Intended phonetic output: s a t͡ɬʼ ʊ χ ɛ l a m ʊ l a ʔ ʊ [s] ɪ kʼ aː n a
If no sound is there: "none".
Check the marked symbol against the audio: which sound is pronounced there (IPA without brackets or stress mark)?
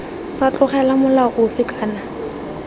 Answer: f